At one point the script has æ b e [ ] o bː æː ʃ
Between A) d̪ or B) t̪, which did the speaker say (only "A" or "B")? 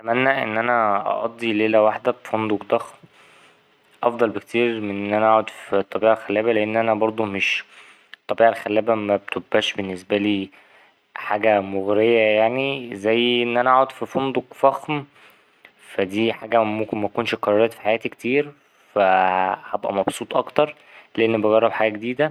B